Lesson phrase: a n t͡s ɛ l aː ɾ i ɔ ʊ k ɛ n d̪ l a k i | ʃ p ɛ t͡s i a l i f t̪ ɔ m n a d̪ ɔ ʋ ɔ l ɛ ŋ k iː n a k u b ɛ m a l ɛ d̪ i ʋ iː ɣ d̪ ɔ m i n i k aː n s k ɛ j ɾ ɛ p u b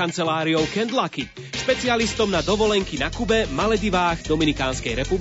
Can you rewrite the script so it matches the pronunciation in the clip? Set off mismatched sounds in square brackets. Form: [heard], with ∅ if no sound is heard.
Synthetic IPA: a n t͡s ɛ l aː ɾ i ɔ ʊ k ɛ n d̪ l a k i | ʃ p ɛ t͡s i a l i [s] t̪ ɔ m n a d̪ ɔ ʋ ɔ l ɛ ŋ k [i] n a k u b ɛ m a l ɛ d̪ i ʋ [aː] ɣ d̪ ɔ m i n i k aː n s k ɛ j ɾ ɛ p u b